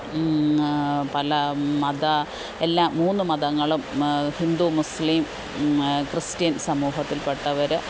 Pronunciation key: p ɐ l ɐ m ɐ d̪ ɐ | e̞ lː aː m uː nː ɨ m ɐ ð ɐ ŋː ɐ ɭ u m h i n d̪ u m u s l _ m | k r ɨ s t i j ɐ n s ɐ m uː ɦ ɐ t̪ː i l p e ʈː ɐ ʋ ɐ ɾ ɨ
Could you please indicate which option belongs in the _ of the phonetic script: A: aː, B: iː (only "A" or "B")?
B